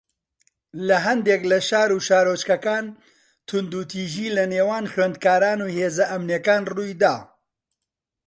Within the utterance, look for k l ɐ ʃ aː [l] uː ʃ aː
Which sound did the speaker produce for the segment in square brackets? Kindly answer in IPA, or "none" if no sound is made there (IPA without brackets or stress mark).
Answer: ɾ